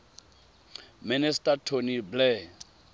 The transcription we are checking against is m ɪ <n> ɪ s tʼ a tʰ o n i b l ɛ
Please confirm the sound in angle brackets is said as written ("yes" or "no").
yes